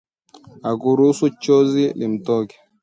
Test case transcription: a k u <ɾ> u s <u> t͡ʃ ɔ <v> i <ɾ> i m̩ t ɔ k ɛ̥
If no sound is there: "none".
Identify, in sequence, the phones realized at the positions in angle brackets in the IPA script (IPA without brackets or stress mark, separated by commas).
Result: ɾ, u, z, l